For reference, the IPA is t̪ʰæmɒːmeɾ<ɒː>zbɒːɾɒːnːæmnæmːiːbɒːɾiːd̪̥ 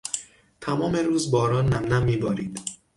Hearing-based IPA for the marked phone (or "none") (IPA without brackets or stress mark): uː